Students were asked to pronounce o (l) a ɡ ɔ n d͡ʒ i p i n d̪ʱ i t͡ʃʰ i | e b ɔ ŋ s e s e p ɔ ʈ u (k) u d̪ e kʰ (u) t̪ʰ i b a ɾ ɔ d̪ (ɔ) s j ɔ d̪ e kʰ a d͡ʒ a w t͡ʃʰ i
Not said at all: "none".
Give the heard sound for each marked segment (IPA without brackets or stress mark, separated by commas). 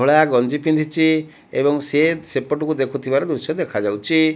ɭ, k, u, u